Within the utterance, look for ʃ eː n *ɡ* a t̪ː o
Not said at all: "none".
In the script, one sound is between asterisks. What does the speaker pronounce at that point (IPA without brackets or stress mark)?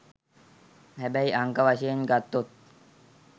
ɡ